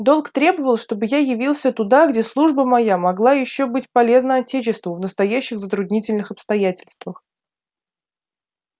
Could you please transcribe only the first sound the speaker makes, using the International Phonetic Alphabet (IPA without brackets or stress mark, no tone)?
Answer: d̪